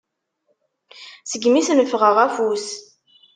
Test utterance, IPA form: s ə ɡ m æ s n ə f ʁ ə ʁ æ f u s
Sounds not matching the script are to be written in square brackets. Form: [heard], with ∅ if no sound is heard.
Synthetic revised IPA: s ə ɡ m [i] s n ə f ʁ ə ʁ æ f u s